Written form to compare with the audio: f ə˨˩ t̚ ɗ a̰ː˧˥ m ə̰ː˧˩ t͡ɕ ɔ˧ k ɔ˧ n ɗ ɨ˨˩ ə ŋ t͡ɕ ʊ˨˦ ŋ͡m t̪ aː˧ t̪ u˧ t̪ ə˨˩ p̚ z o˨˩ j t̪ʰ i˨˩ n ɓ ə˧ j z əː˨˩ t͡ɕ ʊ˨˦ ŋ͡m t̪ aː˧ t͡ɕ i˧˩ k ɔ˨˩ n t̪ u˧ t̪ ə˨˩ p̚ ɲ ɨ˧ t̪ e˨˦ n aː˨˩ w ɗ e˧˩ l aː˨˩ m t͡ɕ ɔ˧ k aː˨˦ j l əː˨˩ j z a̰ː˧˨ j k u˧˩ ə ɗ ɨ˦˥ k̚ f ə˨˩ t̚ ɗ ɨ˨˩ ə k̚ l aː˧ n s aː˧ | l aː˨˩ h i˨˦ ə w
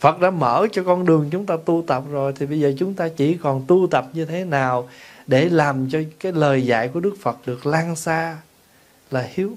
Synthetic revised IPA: f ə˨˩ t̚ ɗ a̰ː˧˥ m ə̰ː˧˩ t͡ɕ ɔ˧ k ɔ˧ n ɗ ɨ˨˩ ə ŋ t͡ɕ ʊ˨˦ ŋ͡m t̪ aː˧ t̪ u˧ t̪ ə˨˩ p̚ z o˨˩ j t̪ʰ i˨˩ ɓ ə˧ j z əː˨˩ t͡ɕ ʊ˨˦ ŋ͡m t̪ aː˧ t͡ɕ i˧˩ k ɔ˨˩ n t̪ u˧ t̪ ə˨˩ p̚ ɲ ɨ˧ t̪ʰ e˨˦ n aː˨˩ w ɗ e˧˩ l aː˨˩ m t͡ɕ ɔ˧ k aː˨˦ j l əː˨˩ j z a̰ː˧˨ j k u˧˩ ə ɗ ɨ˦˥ k̚ f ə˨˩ t̚ ɗ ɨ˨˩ ə k̚ l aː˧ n s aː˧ | l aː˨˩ h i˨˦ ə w